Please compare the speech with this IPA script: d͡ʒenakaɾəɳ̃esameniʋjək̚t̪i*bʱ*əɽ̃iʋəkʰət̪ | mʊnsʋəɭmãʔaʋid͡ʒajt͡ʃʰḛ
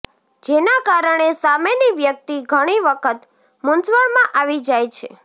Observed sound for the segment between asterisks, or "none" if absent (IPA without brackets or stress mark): ɡʱ